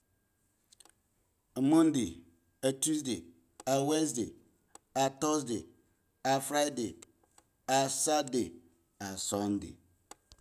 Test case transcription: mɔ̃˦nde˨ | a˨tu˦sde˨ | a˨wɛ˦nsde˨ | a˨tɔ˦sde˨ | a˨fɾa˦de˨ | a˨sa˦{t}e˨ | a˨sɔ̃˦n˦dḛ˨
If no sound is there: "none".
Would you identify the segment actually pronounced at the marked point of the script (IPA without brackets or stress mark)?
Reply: d